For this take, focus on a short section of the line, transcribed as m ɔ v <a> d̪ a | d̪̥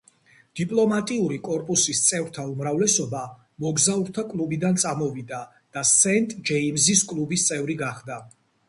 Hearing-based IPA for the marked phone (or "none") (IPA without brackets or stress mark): i